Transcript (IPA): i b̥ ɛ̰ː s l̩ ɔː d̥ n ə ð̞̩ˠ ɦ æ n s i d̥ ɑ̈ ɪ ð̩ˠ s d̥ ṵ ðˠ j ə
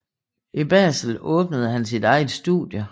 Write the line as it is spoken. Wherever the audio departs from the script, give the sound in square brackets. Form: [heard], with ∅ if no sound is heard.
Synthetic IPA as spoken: i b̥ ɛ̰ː s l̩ ɔː [b̥] n ə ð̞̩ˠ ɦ æ n s i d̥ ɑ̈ ɪ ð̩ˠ s d̥ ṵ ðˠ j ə